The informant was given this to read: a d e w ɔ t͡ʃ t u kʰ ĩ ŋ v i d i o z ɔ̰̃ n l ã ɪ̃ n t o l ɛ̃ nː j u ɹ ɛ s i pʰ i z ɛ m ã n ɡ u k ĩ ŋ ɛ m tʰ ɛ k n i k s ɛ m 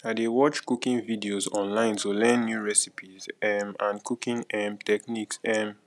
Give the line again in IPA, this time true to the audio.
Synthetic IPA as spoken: a d e w ɔ t͡ʃ k u k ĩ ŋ v i d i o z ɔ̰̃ n l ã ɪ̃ n t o l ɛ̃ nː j u ɹ ɛ s i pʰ i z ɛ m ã n k u k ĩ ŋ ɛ m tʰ ɛ k n i k s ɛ m